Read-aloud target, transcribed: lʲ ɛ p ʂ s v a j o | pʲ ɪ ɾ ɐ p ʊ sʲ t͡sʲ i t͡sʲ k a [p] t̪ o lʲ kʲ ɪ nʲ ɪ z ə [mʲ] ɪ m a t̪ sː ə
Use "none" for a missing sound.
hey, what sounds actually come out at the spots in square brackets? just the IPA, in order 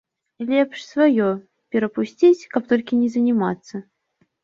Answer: p, nʲ

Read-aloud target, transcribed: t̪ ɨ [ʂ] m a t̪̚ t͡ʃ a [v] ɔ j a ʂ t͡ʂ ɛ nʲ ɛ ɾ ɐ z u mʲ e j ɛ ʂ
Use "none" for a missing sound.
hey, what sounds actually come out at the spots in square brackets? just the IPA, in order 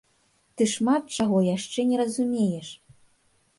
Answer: ʂ, ɣ

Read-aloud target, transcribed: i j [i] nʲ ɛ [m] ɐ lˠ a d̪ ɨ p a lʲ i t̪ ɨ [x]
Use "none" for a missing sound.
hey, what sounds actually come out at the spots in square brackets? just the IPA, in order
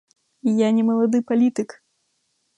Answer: a, m, k

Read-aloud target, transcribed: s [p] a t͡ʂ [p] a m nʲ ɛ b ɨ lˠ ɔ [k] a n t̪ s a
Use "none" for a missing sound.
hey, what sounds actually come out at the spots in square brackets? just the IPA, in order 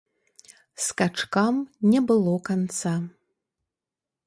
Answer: k, k, k

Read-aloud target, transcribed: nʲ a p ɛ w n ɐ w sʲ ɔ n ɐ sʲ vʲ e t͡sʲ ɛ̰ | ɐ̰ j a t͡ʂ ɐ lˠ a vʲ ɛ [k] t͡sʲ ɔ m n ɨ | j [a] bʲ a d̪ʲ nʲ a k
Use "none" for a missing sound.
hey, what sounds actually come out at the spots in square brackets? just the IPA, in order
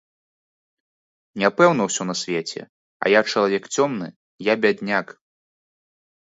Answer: k, a

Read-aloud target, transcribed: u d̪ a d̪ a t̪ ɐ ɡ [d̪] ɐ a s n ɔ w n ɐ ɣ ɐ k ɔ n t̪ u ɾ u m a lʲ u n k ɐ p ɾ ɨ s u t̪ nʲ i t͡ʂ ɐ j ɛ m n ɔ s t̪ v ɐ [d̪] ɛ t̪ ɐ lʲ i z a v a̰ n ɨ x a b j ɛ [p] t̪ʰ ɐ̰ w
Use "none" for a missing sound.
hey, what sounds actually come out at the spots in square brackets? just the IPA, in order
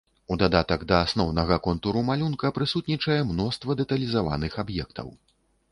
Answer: d̪, d̪, k

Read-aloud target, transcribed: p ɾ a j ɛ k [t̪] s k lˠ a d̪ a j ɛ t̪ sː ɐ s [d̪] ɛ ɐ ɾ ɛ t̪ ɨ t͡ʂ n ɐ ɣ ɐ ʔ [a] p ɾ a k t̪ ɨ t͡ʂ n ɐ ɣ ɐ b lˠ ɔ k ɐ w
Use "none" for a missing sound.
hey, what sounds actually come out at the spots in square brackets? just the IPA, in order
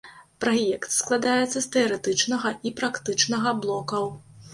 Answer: t̪, t̪, i

